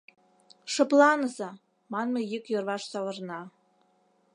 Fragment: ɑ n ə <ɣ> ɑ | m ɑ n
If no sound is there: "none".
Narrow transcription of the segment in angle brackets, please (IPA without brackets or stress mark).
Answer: z